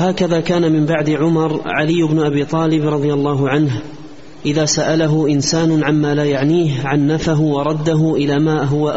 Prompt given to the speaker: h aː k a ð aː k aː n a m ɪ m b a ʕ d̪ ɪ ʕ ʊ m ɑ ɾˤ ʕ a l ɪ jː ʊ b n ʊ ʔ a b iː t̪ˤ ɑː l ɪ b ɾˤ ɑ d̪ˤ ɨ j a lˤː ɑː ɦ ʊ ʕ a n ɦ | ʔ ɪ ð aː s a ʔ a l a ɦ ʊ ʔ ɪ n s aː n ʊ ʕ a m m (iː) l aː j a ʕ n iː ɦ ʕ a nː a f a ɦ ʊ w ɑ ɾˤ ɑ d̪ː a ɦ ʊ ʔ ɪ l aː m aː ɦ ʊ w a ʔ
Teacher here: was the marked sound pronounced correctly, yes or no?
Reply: no